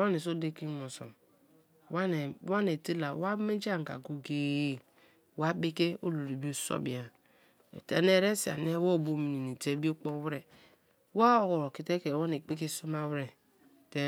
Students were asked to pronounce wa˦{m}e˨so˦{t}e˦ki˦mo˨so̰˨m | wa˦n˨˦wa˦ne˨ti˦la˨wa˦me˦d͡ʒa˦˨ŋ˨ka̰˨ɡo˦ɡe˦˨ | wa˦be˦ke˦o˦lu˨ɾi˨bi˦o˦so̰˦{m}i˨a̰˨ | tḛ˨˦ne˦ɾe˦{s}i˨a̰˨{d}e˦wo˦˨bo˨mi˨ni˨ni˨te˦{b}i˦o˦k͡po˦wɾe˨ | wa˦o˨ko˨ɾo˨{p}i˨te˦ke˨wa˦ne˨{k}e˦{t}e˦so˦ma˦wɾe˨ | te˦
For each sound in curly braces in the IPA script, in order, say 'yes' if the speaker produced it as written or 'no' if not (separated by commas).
no, no, no, yes, no, yes, no, no, no